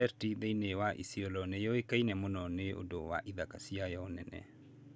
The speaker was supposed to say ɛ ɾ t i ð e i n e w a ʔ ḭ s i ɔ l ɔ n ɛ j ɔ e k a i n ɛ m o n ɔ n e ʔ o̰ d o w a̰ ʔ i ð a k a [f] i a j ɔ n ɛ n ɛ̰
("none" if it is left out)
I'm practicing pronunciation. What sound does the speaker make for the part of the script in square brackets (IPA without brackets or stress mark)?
s